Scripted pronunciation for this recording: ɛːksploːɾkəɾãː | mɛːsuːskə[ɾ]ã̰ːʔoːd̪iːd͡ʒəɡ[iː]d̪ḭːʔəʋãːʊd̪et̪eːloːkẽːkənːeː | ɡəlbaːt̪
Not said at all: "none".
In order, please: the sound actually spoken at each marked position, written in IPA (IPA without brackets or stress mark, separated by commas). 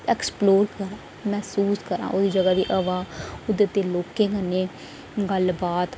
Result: ɾ, aː